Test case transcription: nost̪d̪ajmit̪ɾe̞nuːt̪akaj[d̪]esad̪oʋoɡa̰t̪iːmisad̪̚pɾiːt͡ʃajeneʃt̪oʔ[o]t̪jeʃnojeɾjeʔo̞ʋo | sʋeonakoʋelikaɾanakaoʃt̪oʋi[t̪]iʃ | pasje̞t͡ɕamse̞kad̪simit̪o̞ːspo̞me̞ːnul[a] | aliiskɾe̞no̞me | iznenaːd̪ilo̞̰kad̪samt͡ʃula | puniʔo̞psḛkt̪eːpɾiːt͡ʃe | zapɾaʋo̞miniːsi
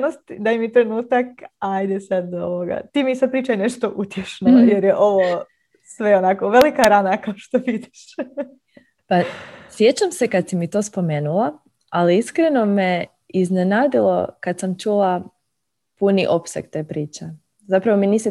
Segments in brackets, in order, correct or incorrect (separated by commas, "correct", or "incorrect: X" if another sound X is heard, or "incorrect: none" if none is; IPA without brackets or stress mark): correct, incorrect: u, incorrect: d̪, correct